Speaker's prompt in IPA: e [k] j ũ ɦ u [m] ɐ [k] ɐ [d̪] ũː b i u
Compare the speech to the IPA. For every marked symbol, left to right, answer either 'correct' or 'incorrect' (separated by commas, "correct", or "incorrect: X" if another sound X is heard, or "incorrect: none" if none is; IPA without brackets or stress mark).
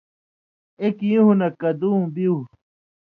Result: correct, incorrect: n, correct, correct